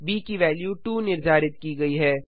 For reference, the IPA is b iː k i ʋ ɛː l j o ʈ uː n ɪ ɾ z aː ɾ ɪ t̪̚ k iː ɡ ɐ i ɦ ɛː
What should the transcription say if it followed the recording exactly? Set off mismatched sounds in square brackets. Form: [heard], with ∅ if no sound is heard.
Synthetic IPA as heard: b iː k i ʋ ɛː l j [u] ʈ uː n ɪ ɾ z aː ɾ ɪ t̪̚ k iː ɡ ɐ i ɦ ɛː